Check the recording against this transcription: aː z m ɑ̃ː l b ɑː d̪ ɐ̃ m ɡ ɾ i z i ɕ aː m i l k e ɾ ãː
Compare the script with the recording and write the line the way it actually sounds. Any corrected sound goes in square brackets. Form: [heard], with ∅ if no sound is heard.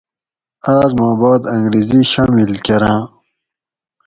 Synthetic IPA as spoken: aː z m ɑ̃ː [∅] b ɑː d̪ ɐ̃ [ŋ] ɡ ɾ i z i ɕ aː m i l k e ɾ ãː